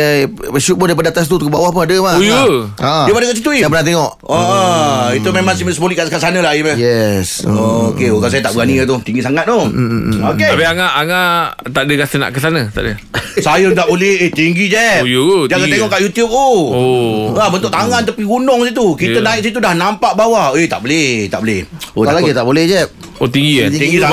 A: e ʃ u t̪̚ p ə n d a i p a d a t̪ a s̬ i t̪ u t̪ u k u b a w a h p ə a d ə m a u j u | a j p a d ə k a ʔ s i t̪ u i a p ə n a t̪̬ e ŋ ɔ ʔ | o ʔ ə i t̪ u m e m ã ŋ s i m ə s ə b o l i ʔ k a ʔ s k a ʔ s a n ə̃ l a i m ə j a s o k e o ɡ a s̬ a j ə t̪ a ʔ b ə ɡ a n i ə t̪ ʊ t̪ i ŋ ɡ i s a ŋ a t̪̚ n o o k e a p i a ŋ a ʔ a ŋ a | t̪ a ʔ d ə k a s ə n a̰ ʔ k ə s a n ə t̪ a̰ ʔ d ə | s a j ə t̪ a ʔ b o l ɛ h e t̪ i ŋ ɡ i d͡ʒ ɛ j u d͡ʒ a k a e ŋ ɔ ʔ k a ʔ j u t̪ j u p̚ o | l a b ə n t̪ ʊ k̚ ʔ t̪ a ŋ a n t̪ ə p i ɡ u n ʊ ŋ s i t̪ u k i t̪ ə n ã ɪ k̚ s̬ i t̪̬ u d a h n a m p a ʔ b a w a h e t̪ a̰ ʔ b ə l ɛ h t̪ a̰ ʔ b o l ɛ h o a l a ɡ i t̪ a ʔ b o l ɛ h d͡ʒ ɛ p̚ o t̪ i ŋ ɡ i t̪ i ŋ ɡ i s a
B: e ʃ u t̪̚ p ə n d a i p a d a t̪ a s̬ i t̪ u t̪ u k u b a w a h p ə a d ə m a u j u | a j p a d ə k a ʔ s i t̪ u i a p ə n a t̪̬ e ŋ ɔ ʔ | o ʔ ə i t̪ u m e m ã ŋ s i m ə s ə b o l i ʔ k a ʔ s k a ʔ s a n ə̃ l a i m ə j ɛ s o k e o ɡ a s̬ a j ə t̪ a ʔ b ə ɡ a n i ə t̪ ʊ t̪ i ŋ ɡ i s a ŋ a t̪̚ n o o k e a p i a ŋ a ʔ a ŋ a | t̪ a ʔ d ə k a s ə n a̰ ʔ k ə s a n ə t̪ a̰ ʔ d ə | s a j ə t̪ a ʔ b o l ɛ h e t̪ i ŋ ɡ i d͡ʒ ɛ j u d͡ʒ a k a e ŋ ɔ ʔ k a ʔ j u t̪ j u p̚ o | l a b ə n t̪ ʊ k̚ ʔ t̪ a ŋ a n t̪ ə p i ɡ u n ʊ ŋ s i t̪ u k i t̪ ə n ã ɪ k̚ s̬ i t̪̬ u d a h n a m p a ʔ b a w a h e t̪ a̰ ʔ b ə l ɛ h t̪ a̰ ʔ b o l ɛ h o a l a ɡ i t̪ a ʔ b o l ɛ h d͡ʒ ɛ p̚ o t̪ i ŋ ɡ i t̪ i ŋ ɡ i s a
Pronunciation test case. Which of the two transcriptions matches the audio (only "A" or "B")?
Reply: B